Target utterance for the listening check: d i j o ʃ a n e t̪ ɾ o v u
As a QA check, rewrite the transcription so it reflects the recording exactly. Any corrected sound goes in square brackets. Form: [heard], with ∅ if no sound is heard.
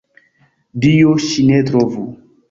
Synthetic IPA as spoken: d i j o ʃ [i] n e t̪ ɾ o v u

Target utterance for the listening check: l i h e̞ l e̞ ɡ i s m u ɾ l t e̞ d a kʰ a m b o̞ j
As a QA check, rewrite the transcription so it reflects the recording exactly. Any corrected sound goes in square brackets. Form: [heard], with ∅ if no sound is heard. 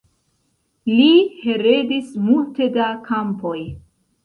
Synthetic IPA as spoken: l i h e̞ [ɾ] e̞ [d] i s m u [∅] l t e̞ d a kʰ a m [p] o̞ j

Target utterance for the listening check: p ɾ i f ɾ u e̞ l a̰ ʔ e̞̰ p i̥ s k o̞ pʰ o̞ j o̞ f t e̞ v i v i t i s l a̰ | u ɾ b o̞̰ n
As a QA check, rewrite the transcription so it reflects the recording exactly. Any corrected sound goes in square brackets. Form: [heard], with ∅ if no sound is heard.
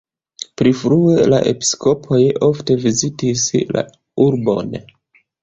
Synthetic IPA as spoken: p ɾ i f ɾ u e̞ l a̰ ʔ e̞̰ p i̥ s k o̞ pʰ o̞ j o̞ f t e̞ v i [z] i t i s l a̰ | u ɾ b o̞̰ n

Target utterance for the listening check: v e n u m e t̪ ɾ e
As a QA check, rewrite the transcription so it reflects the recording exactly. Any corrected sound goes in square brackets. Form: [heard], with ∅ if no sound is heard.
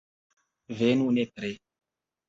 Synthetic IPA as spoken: v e n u [n] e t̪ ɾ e

